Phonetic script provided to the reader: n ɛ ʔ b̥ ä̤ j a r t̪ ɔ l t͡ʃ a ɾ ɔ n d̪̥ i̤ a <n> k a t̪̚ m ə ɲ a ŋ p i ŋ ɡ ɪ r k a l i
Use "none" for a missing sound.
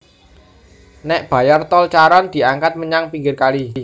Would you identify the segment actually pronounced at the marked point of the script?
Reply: ŋ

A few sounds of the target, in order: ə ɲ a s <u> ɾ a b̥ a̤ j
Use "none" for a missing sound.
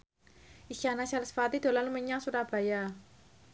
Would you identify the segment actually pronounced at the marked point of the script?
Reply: u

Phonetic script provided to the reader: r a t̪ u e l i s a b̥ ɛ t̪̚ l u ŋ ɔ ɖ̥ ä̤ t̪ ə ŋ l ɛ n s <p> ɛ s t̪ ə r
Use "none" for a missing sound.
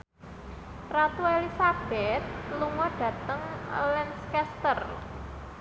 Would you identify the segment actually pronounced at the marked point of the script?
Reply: k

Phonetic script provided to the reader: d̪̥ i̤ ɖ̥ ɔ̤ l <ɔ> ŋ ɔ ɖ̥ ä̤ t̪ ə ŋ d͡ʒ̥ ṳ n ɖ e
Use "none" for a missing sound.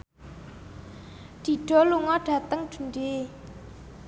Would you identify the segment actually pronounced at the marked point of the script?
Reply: u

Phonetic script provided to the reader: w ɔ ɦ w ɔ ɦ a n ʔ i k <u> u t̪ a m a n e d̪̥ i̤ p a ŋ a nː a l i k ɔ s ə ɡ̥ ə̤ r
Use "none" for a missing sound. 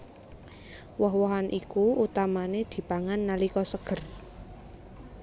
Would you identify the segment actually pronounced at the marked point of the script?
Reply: u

